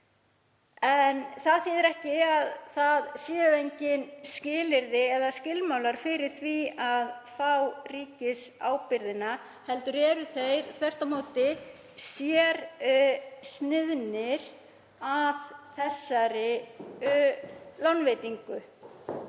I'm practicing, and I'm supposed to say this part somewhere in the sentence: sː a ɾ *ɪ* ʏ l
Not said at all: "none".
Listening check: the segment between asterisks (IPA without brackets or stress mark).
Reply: ɪ